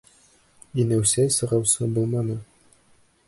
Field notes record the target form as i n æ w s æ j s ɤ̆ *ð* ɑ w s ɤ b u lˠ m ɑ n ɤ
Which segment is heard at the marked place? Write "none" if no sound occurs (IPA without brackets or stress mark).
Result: ʁ